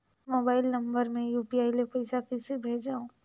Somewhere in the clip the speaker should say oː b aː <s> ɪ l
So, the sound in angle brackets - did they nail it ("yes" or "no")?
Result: no